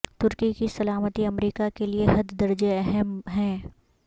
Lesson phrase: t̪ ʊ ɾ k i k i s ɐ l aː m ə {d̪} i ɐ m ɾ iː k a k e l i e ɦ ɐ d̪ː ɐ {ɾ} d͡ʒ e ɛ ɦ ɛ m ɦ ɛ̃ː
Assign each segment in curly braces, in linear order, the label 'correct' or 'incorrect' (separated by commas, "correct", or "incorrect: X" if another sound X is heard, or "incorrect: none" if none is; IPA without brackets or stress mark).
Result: incorrect: t̪, correct